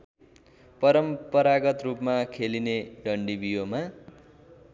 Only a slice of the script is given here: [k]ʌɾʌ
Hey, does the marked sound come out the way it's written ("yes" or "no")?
no